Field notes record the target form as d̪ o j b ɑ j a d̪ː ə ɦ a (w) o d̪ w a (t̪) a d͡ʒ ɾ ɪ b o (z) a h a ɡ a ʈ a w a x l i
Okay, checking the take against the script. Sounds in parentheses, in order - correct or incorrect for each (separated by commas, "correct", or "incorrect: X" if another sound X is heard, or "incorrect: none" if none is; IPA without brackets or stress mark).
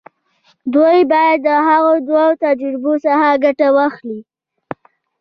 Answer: incorrect: ɣ, correct, incorrect: s